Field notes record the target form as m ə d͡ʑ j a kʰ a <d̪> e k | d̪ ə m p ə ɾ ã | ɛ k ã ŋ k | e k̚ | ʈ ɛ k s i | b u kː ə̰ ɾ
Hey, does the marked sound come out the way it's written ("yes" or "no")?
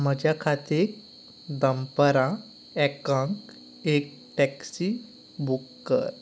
no